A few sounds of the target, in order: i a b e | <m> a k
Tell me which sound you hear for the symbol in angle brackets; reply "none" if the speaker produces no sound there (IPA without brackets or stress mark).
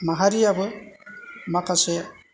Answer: m